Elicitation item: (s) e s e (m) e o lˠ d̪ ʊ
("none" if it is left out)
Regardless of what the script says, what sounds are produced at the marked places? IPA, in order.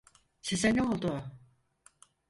s, n

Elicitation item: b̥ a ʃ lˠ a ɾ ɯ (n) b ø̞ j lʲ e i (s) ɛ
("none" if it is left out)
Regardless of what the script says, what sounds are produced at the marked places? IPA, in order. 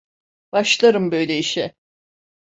m, ʃ

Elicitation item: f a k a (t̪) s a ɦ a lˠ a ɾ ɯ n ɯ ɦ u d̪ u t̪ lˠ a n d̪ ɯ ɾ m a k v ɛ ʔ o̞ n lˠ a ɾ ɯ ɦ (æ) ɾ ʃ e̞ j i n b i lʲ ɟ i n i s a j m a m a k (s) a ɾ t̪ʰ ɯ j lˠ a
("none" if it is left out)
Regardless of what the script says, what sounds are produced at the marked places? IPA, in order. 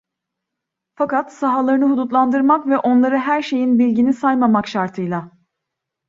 t̪, æ, ʃ

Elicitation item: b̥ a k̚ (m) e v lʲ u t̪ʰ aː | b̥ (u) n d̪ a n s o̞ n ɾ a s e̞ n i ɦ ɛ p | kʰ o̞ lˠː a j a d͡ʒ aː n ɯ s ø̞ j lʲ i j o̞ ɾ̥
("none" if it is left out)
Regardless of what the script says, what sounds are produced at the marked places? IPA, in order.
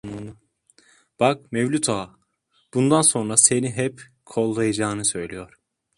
m, u

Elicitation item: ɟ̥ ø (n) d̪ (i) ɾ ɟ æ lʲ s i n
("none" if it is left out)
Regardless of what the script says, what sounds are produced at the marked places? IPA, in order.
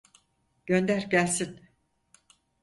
n, æ

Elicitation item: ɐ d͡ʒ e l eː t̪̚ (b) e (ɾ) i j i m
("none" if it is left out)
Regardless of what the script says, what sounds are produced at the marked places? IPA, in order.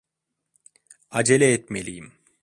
m, l

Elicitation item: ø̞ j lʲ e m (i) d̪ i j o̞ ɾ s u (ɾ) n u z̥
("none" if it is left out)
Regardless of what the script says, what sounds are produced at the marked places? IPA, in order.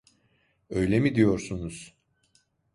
i, none

